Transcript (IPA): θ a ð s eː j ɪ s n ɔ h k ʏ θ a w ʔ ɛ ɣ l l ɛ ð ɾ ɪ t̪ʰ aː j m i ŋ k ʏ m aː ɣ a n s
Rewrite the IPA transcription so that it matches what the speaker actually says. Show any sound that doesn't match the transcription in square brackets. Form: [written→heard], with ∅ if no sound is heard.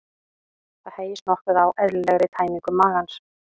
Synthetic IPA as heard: θ a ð [s→h] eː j ɪ s n ɔ h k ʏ [θ→ð] a w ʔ ɛ [ɣ→ð] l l ɛ [ð→ɣ] ɾ ɪ t̪ʰ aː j m i ŋ k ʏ m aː ɣ a n s